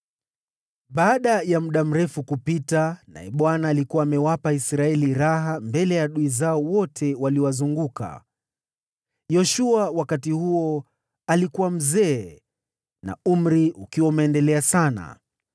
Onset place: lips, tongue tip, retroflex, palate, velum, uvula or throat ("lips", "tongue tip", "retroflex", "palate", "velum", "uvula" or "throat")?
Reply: lips